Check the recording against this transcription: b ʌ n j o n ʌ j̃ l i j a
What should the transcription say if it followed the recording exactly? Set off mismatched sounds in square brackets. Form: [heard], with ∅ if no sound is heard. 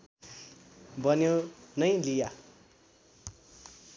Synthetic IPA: b ʌ n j o n ʌ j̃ l i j a